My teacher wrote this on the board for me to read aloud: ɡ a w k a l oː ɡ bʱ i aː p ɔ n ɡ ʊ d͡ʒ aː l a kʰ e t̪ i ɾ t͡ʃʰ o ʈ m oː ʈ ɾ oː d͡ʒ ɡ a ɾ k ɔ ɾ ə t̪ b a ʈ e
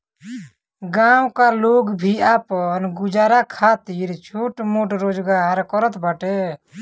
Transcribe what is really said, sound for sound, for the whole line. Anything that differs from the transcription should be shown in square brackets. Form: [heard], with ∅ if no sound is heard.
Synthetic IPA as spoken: ɡ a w k a l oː ɡ bʱ i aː p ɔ n ɡ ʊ d͡ʒ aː [ɾ] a kʰ [a] t̪ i ɾ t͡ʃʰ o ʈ m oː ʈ ɾ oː d͡ʒ ɡ a ɾ k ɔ ɾ ə t̪ b a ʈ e

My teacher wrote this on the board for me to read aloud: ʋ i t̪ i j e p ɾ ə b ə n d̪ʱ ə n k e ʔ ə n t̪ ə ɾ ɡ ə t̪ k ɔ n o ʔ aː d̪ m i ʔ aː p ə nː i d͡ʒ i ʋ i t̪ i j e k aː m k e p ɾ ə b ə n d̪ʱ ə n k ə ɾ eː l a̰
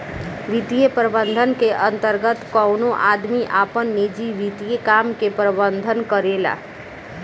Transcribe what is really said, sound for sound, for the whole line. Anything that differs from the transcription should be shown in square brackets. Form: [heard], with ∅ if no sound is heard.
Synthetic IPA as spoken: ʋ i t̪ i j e p ɾ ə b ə n d̪ʱ ə n k e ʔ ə n t̪ ə ɾ ɡ ə t̪ k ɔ n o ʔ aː d̪ m i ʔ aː p ə nː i d͡ʒ i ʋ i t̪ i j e k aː m k e p ɾ ə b ə n d̪ʱ ə n k ə ɾ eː l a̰

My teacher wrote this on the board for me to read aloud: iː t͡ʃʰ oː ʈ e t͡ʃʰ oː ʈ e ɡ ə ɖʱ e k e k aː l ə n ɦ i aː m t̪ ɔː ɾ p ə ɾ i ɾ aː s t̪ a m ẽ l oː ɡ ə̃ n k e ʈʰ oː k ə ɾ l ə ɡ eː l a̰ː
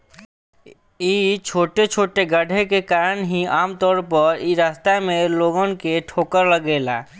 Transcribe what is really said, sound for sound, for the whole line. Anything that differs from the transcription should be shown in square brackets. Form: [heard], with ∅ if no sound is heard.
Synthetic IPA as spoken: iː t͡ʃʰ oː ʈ e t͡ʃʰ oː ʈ e ɡ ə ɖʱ e k e k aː [ɾ] ə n ɦ i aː m t̪ ɔː ɾ p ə ɾ i ɾ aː s t̪ a m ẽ l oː ɡ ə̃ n k e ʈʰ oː k ə ɾ l ə ɡ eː l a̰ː

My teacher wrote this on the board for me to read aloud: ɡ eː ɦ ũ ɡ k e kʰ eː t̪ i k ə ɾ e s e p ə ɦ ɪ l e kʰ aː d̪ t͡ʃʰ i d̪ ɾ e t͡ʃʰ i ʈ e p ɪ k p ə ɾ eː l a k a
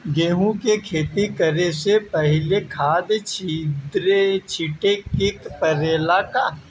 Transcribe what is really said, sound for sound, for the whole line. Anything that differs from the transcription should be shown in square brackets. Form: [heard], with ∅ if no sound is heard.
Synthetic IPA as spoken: ɡ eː ɦ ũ [∅] k e kʰ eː t̪ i k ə ɾ e s e p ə ɦ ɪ l e kʰ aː d̪ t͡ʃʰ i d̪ ɾ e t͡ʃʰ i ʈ e [k] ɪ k p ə ɾ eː l a k a

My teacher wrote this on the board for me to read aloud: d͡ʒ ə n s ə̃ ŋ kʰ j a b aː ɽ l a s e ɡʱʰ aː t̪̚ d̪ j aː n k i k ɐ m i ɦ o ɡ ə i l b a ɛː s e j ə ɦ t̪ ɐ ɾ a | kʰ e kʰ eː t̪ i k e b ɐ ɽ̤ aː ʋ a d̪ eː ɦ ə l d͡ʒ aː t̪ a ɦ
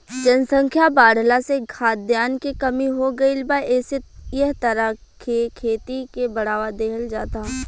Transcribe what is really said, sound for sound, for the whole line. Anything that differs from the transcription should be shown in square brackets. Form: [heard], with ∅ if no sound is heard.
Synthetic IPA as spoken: d͡ʒ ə n s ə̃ ŋ kʰ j a b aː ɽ l a s e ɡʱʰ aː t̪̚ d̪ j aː n k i k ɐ m i ɦ o ɡ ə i l b a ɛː s e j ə ɦ t̪ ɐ ɾ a | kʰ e kʰ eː t̪ i k e b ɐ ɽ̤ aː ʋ a d̪ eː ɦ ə l d͡ʒ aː t̪ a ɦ

